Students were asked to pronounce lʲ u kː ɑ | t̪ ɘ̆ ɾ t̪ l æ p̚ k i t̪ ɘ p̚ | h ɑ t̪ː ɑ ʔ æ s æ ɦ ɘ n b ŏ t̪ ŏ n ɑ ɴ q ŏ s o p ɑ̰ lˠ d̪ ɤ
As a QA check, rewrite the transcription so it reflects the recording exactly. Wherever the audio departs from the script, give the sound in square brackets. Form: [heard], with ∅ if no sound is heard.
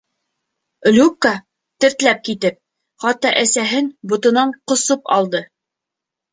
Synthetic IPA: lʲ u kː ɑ | t̪ ɘ̆ ɾ t̪ l æ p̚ k i t̪ ɘ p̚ | [χ] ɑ t̪ː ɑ ʔ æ s æ ɦ ɘ n b ŏ t̪ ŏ n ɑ ɴ q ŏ s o p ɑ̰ lˠ d̪ ɤ